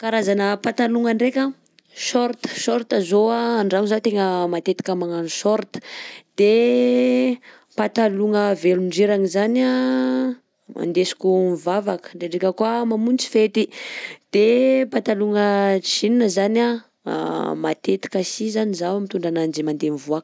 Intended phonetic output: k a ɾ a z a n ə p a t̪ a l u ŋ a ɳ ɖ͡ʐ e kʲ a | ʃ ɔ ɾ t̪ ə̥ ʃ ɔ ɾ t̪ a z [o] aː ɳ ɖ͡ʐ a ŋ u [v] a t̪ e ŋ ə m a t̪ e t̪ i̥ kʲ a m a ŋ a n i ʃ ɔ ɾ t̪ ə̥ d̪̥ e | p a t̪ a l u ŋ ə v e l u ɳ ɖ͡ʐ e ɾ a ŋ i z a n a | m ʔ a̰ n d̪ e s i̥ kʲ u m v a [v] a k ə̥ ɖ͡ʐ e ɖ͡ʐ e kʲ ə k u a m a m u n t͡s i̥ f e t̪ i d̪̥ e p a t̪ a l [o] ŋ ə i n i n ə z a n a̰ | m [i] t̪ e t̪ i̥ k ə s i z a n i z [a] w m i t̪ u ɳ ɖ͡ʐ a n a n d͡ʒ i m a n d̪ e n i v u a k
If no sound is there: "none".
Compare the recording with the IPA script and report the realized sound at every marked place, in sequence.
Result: o, z, v, u, a, a

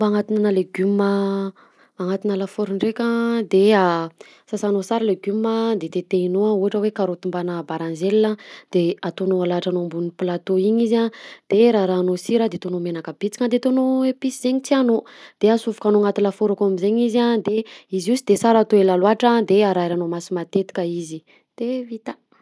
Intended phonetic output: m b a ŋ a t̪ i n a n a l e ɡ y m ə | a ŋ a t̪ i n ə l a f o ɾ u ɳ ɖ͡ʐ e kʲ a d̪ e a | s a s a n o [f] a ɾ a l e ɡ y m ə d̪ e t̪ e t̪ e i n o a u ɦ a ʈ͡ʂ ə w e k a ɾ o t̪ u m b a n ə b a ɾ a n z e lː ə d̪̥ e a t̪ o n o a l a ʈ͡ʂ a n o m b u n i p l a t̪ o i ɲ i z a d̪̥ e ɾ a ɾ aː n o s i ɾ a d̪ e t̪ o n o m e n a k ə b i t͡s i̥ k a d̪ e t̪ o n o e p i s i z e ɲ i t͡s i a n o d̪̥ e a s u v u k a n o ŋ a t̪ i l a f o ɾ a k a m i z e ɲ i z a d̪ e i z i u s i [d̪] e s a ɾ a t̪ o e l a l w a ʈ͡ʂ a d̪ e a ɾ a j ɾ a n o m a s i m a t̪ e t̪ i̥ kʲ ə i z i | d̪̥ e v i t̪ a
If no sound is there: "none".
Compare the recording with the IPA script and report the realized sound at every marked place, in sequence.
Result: s, d̪

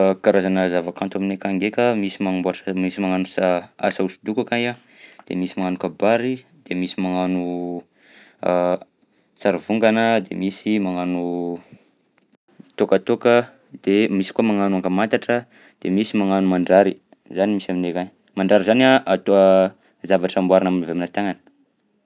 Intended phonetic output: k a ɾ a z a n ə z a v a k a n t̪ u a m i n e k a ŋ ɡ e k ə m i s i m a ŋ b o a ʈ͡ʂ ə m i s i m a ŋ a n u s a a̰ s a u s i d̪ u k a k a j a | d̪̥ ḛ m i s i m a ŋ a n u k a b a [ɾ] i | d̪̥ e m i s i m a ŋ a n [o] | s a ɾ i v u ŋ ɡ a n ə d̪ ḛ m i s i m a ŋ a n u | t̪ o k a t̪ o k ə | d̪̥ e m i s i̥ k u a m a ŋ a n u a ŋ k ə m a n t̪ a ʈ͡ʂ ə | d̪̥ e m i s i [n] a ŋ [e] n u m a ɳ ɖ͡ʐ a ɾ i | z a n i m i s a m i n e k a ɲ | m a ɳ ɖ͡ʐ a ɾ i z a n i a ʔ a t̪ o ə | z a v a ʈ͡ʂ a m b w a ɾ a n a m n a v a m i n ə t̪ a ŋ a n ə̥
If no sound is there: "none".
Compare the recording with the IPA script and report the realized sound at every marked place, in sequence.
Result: ɾ, u, m, a

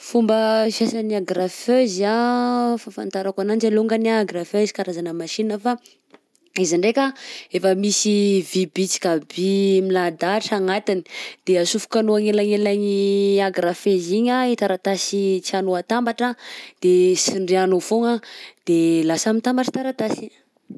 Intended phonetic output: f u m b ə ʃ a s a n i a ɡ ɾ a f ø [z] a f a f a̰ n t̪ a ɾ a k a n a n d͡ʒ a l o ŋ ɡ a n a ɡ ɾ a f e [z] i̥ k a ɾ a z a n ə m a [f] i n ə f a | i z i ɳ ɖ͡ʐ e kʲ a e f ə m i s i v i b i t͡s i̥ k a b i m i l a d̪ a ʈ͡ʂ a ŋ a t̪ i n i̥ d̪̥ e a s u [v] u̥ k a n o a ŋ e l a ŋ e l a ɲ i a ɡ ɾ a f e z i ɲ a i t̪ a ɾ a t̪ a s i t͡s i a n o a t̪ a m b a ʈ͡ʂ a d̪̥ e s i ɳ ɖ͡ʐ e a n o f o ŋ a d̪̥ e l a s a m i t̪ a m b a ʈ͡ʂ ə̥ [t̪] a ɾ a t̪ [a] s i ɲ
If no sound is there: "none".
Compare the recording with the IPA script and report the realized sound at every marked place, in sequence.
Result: z, z, ʃ, f, t̪, a

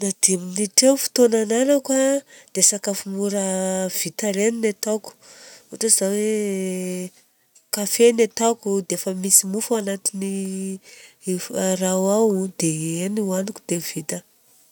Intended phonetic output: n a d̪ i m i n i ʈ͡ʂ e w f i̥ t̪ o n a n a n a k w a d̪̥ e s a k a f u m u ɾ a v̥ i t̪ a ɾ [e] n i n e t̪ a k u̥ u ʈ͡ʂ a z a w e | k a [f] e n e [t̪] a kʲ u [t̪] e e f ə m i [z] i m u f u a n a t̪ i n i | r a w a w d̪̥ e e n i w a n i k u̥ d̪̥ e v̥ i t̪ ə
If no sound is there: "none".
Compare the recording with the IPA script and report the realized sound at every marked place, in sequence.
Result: e, f, t̪, d̪, s

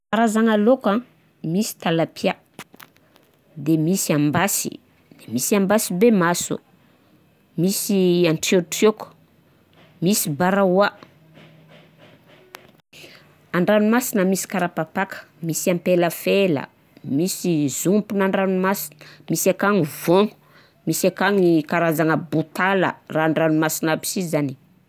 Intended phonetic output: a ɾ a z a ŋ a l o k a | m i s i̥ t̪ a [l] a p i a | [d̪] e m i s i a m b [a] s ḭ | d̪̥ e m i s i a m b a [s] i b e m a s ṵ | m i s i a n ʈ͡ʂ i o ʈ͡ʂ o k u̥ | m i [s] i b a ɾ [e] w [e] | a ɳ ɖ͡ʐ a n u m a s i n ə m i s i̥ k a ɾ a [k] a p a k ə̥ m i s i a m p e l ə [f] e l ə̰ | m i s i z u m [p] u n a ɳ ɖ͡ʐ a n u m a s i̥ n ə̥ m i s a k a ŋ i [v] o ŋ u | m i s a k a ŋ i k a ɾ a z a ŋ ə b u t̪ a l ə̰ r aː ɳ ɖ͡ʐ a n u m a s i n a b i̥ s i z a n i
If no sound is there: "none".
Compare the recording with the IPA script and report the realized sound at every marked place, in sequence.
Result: l, d̪, a, s, s, a, a, p, f, p, v

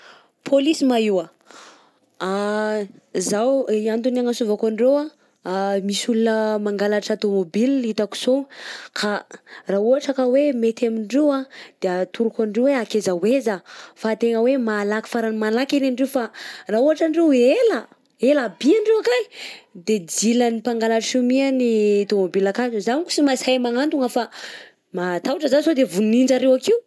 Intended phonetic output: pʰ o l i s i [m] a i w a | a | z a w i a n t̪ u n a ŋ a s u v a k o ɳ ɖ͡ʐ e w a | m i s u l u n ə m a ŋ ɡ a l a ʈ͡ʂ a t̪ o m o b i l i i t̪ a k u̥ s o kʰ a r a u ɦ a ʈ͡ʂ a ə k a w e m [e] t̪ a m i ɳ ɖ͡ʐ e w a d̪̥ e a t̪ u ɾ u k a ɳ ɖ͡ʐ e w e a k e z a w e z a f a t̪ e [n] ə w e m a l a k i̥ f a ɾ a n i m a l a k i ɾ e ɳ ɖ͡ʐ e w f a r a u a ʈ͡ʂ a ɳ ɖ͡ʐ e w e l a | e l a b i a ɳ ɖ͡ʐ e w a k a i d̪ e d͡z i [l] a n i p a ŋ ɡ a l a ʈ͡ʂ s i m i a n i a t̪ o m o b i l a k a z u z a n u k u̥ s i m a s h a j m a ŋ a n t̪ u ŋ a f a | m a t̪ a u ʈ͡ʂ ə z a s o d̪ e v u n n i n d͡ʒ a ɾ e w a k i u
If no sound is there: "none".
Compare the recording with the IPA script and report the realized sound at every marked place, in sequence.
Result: m, e, ŋ, l

